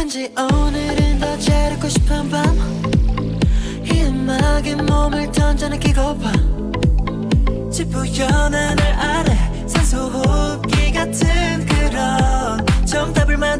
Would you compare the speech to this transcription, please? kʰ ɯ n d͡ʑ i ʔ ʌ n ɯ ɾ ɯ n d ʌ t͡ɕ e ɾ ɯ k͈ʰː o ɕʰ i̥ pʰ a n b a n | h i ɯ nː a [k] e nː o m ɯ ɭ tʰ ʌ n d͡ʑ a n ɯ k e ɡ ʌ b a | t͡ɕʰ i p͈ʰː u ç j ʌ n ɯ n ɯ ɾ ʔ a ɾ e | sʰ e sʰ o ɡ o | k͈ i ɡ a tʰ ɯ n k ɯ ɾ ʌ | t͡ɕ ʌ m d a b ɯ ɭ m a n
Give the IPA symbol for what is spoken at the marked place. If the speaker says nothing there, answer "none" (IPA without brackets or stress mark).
ɡ